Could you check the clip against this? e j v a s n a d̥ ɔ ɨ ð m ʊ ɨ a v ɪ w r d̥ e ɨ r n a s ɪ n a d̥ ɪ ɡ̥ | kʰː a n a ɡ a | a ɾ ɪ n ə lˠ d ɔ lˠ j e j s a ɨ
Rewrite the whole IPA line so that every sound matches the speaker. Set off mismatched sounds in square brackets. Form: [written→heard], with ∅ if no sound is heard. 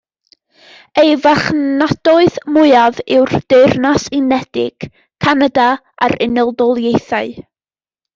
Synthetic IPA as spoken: e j v a [s→χ] n a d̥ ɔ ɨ ð m ʊ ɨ a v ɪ w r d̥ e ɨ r n a s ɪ n [a→ɛ] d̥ ɪ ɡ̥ | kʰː a n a [ɡ→d] a | a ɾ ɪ n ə lˠ d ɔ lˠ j e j [s→θ] a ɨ